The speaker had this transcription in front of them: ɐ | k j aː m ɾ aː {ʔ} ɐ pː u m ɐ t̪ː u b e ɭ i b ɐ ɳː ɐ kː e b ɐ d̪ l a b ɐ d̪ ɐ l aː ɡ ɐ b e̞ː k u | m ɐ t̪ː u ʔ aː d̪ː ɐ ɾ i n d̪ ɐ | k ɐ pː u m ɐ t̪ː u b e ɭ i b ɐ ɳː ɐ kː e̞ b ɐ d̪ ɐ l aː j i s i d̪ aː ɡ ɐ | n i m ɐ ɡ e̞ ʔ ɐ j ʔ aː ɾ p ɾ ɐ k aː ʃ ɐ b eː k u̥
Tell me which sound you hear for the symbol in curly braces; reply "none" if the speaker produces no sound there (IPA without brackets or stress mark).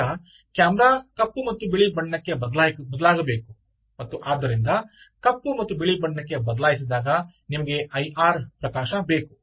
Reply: k